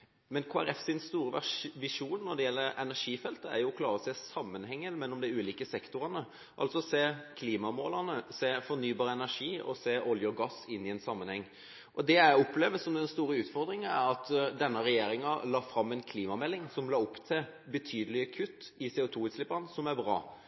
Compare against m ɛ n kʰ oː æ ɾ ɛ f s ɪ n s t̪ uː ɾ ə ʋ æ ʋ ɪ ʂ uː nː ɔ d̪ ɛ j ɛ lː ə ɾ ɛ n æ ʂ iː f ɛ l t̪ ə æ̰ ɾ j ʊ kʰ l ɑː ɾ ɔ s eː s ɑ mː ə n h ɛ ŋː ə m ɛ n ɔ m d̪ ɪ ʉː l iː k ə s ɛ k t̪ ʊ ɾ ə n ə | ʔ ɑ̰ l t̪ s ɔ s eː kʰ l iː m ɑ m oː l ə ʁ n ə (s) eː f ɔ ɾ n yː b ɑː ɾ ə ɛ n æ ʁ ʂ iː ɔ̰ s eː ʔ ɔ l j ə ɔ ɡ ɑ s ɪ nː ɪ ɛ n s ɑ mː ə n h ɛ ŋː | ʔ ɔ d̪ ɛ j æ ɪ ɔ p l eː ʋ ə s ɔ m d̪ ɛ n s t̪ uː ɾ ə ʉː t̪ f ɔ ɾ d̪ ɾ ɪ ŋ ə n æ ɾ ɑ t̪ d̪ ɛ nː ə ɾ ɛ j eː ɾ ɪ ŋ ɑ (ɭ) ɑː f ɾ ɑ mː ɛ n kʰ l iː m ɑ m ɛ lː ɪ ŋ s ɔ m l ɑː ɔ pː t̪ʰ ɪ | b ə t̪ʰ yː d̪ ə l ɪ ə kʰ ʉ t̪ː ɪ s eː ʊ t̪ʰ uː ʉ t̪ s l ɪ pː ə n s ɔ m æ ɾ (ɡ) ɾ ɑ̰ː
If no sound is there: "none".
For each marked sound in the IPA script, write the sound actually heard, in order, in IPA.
s, l, b

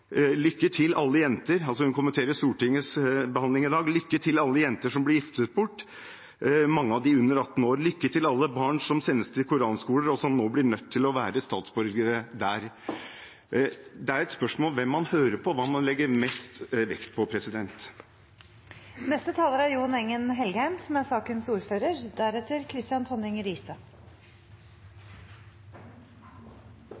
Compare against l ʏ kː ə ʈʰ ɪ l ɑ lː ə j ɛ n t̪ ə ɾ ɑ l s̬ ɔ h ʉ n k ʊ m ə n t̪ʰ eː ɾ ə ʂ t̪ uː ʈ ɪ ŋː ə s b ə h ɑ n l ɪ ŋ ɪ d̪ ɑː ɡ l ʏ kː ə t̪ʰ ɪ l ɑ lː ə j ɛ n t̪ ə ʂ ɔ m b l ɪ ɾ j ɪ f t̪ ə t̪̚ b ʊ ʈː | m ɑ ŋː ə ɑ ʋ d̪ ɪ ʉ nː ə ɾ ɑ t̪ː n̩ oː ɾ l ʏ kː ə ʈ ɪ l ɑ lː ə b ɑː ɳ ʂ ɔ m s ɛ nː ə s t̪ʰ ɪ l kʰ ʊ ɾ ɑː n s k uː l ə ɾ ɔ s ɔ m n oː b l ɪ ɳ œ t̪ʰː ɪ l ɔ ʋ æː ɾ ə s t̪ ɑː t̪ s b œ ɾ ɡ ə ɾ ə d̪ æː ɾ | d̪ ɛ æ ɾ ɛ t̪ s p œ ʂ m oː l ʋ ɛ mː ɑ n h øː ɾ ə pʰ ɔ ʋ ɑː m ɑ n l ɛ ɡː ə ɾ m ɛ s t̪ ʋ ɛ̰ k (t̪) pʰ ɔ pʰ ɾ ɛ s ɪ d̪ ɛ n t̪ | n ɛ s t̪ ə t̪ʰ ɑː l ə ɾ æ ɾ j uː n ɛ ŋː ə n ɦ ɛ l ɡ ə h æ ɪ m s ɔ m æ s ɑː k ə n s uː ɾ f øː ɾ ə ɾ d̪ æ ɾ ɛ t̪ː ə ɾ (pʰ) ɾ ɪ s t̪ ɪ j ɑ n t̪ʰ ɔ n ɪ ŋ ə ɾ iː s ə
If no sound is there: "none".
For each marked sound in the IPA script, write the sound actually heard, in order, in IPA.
t̪, kʰ

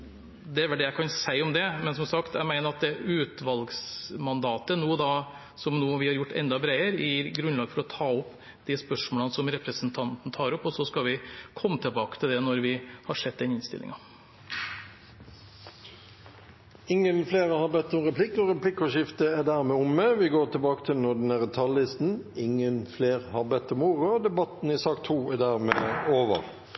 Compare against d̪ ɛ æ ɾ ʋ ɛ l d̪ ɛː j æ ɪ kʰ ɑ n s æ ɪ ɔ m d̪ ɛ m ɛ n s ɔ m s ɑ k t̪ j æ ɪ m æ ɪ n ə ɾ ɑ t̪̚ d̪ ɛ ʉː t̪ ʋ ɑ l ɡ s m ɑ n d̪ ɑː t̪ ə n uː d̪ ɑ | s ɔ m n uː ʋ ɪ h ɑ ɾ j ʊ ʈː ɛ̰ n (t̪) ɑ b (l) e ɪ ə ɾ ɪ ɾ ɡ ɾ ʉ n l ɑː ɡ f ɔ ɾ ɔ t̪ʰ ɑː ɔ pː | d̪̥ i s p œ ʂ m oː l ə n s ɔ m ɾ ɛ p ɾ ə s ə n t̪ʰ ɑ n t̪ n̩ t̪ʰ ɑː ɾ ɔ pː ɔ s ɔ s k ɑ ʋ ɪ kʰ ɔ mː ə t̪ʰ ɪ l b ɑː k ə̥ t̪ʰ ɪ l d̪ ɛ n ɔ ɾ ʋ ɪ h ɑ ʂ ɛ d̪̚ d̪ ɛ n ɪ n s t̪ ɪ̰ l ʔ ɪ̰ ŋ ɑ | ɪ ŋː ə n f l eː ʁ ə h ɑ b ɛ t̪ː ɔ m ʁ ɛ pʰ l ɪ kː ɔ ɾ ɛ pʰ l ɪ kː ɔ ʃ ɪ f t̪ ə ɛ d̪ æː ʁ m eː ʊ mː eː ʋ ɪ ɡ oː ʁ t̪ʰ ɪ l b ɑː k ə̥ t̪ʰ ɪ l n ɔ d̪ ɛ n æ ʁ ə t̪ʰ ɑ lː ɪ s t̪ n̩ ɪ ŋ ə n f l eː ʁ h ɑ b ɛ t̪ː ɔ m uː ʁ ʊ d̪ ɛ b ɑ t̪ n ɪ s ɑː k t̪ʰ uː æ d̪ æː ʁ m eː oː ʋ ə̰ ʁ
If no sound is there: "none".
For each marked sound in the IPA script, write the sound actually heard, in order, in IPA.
d̪, ɾ

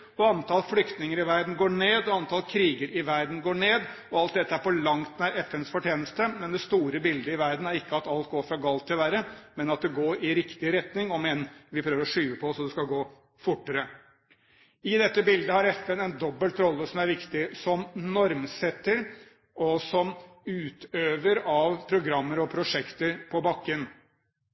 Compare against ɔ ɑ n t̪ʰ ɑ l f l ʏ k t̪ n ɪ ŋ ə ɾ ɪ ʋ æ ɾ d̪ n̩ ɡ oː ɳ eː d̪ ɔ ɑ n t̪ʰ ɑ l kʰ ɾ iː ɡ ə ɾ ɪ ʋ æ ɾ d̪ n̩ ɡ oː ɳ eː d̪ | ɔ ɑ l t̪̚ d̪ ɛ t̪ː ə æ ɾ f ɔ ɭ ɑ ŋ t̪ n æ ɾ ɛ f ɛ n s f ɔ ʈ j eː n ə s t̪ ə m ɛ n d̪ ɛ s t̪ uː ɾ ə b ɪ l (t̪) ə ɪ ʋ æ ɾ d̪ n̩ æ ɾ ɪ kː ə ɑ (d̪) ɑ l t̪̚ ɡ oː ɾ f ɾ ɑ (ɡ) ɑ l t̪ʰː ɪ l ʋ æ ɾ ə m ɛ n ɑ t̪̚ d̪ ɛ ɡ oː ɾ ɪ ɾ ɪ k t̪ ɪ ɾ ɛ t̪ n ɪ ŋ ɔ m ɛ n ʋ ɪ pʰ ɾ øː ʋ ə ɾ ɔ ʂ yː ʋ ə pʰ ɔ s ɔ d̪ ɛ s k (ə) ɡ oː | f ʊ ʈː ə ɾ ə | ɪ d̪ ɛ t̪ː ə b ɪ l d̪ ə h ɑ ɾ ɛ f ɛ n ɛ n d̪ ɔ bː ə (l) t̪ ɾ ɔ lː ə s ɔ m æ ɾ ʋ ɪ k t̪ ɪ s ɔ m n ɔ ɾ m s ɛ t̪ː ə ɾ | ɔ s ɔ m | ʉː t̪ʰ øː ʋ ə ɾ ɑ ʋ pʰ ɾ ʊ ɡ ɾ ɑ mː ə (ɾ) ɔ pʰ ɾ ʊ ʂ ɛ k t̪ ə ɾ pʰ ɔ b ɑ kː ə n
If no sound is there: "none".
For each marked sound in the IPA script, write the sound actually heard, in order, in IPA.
d̪, t̪, ɡ, ɑ, l, ɾ

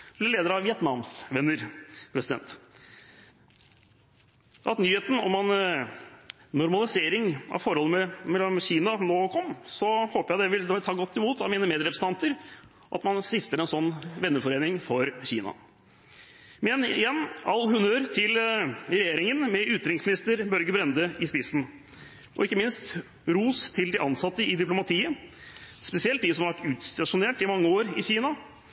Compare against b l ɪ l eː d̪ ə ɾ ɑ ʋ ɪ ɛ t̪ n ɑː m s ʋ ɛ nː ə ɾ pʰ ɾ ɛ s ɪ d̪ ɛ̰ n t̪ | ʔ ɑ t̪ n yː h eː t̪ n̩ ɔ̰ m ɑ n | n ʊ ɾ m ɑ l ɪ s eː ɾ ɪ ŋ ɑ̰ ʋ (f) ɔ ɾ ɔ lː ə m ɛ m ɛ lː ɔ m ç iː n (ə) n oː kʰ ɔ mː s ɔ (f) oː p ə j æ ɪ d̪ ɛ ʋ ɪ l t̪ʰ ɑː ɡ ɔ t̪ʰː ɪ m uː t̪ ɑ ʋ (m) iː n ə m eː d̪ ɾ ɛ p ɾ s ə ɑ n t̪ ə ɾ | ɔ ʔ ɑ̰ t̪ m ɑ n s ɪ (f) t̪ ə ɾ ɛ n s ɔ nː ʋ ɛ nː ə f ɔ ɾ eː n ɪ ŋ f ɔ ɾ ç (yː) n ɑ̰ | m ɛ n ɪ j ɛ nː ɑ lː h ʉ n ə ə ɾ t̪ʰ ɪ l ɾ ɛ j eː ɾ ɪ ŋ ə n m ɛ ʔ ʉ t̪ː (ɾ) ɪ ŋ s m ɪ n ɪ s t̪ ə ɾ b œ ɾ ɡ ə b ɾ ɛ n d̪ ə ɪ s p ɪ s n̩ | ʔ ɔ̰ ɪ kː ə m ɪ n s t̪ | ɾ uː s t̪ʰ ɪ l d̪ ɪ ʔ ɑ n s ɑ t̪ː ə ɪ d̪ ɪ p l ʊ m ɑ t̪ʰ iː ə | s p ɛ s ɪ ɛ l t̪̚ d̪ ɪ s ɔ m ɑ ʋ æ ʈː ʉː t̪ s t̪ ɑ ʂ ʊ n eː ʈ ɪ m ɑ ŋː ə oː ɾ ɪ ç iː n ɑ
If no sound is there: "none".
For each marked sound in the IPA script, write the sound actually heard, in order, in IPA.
f, ɑ, h, m, f, iː, ɾ

